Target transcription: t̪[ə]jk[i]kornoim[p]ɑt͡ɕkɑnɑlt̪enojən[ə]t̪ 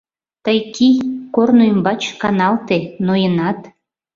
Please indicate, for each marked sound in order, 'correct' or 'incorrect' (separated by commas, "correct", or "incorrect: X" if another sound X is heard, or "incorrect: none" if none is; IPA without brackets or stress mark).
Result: correct, correct, incorrect: b, incorrect: ɑ